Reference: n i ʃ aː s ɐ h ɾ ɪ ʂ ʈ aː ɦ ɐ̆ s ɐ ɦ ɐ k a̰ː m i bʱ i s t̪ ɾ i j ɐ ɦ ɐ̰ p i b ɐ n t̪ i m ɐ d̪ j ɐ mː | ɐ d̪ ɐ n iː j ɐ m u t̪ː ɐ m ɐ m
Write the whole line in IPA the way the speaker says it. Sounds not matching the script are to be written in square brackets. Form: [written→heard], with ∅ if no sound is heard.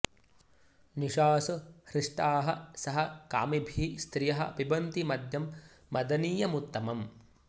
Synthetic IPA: n i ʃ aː s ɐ h ɾ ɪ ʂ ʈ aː ɦ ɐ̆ s ɐ ɦ ɐ k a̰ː m i bʱ i s t̪ ɾ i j ɐ ɦ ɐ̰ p i b ɐ n t̪ i m ɐ d̪ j ɐ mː | ɐ d̪ ɐ n iː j ɐ m u t̪ː ɐ m ɐ m